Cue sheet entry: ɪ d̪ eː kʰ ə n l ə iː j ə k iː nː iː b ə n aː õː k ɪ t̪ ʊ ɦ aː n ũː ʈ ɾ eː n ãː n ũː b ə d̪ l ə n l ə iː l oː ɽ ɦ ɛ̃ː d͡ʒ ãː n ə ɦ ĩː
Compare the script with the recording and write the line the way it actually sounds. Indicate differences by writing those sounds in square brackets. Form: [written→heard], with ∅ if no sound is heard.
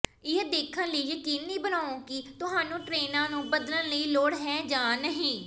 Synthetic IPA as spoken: ɪ d̪ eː kʰ ə n l ə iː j ə k iː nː iː b ə n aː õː k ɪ t̪ ʊ ɦ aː n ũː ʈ ɾ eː n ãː n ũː b ə d̪ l ə n l ə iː l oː ɽ ɦ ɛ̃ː d͡ʒ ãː n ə ɦ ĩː